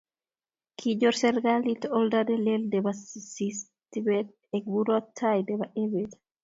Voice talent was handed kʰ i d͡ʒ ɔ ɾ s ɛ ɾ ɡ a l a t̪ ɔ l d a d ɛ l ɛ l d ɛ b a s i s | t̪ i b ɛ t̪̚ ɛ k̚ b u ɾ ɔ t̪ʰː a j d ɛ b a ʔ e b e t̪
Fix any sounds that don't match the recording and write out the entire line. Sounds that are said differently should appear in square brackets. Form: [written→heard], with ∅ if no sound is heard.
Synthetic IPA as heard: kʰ i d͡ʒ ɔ ɾ s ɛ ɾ ɡ a l [a→i] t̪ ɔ l d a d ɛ l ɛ l d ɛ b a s i s | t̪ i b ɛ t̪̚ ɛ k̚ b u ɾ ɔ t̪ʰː a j d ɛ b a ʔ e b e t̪